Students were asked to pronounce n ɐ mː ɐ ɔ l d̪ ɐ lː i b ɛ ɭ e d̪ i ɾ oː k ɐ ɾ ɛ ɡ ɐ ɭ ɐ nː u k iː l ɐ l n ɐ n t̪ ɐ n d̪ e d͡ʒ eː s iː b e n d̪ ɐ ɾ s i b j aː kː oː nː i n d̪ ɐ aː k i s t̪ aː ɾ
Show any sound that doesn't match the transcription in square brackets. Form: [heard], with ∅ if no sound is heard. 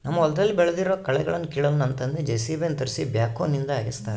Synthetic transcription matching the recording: n ɐ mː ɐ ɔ l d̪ ɐ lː i b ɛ ɭ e d̪ i ɾ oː k ɐ [ɭ] ɛ ɡ ɐ ɭ ɐ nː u k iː [ɭ] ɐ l n ɐ n t̪ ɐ n d̪ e d͡ʒ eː s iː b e n [t̪] ɐ ɾ s i b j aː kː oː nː i n d̪ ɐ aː [ɡ] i s t̪ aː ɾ